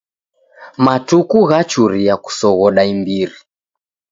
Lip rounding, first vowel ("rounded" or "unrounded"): unrounded